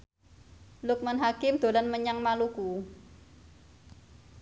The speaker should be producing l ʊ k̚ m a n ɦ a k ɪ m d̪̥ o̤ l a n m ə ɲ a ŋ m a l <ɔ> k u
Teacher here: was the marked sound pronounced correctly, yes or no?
no